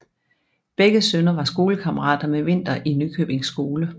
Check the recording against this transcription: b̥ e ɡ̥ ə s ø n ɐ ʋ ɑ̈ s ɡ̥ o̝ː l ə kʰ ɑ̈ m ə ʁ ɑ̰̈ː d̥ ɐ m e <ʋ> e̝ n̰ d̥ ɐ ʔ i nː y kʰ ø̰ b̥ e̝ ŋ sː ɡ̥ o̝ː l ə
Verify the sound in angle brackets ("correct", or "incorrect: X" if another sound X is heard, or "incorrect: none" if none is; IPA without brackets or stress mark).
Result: correct